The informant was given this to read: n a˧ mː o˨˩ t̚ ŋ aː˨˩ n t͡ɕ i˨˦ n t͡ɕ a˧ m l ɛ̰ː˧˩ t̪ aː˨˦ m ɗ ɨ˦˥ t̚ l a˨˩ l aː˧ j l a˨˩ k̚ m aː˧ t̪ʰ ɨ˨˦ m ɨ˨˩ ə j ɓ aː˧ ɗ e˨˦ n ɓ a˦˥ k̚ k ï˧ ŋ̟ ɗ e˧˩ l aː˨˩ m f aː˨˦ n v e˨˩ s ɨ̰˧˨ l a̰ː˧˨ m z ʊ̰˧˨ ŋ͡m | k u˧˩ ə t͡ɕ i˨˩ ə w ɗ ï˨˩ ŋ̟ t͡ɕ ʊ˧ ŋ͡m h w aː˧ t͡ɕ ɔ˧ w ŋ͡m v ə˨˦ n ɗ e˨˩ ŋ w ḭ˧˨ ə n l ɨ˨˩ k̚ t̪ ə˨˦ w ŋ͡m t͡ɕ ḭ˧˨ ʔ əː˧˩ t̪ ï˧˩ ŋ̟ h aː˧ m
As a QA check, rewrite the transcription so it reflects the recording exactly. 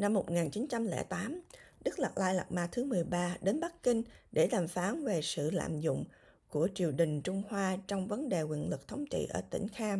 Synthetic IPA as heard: n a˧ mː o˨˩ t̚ ŋ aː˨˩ n t͡ɕ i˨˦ n t͡ɕ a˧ m l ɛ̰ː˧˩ t̪ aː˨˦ m ɗ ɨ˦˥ k̚ l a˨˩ l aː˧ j l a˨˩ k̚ m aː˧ t̪ʰ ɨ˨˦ m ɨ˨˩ ə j ɓ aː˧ ɗ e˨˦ n ɓ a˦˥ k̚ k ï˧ ŋ̟ ɗ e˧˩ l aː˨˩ m f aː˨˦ n v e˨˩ s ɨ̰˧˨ l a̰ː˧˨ m z ʊ̰˧˨ ŋ͡m | k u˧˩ ə t͡ɕ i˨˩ ə w ɗ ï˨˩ ŋ̟ t͡ɕ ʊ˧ ŋ͡m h w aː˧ t͡ɕ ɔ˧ w ŋ͡m v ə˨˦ n ɗ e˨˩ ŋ w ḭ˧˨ ə n l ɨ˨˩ k̚ t̪ʰ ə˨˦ w ŋ͡m t͡ɕ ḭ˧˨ ʔ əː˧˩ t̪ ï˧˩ ŋ̟ x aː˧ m